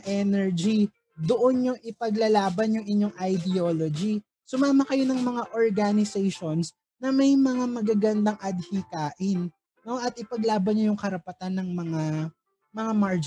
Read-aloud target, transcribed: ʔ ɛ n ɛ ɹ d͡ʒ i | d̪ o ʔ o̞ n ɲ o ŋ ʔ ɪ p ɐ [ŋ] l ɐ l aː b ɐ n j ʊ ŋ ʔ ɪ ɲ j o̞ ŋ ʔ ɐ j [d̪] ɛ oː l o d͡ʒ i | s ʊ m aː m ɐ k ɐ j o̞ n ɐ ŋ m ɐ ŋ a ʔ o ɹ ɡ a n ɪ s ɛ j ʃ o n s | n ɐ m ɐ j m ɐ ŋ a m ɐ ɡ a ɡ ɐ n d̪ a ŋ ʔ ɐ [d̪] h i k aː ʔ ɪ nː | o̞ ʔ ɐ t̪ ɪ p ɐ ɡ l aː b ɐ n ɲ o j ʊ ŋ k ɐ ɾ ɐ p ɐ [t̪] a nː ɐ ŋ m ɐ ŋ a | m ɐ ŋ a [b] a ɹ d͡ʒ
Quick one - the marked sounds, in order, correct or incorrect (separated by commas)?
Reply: incorrect, correct, correct, correct, incorrect